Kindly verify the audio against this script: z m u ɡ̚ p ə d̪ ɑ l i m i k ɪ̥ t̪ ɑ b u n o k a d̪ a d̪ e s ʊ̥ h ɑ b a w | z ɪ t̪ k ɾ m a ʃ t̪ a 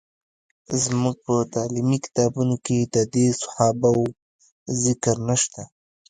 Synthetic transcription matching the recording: z m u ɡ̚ p ə t̪ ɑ l i m i k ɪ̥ t̪ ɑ b u n o k e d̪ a d̪ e s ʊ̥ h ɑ b a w | z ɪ k ɾ n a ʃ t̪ a